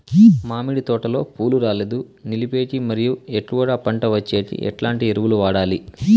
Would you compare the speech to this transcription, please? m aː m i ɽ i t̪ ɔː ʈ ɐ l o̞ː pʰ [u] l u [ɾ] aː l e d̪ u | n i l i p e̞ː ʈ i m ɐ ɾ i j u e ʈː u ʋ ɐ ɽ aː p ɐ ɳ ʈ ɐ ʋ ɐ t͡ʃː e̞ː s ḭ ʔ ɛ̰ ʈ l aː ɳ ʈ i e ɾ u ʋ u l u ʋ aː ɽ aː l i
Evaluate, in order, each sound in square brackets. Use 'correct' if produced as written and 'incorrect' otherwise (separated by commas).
incorrect, correct